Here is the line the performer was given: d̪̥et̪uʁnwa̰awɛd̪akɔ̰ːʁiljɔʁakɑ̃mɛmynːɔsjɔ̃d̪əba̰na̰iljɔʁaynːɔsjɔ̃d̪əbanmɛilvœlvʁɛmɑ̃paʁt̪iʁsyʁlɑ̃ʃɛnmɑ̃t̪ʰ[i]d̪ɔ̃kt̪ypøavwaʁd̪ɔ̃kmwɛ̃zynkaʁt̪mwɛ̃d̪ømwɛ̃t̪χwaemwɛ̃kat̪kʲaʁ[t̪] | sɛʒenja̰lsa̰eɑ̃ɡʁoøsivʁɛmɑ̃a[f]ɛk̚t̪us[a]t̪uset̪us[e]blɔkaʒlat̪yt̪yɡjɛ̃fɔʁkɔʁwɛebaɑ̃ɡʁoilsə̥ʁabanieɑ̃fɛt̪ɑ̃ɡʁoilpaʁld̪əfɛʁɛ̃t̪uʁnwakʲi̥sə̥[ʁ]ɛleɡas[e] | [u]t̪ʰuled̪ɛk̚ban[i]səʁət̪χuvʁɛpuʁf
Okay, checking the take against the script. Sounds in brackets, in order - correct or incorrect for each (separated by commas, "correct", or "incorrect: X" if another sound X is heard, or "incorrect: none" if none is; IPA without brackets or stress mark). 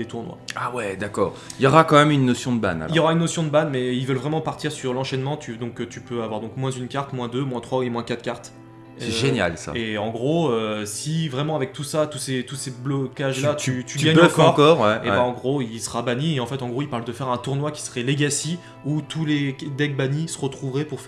incorrect: y, correct, incorrect: v, correct, correct, correct, incorrect: i, correct, correct